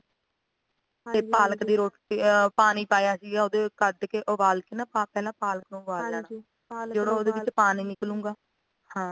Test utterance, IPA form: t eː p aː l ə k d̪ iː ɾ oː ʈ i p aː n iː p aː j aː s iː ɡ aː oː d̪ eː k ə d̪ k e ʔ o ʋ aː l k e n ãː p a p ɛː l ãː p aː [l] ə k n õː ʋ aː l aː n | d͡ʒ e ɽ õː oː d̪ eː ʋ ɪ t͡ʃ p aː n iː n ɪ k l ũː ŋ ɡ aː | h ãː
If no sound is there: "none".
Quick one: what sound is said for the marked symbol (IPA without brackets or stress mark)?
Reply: l